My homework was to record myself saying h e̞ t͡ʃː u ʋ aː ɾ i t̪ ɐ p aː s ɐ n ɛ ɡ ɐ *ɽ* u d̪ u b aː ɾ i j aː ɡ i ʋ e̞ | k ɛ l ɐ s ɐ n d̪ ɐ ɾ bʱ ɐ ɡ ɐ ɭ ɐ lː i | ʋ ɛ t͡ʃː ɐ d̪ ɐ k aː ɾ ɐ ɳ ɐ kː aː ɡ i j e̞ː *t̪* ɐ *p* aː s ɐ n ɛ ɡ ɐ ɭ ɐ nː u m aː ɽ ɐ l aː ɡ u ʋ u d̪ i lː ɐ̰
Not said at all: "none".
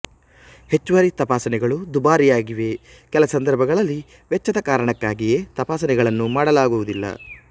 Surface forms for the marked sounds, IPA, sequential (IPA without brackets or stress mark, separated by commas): ɭ, t̪, p